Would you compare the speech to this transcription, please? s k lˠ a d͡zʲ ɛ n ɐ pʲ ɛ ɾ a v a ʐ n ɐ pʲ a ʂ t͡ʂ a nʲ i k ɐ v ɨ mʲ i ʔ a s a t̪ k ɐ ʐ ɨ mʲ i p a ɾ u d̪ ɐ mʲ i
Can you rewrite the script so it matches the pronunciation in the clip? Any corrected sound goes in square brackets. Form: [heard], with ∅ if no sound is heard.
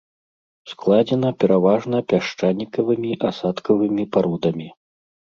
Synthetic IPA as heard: s k lˠ a d͡zʲ ɛ n ɐ pʲ ɛ ɾ a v a ʐ n ɐ pʲ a ʂ t͡ʂ a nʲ i k ɐ v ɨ mʲ i ʔ a s a t̪ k ɐ [v] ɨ mʲ i p a ɾ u d̪ ɐ mʲ i